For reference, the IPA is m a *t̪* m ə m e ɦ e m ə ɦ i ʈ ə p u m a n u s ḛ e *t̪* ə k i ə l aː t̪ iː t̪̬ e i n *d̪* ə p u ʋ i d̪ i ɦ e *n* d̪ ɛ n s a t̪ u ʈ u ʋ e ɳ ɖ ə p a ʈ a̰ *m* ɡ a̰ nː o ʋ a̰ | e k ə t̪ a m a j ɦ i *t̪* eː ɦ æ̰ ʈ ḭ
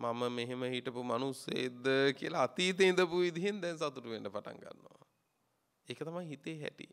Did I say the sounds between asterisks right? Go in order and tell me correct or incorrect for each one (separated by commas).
incorrect, incorrect, correct, correct, incorrect, correct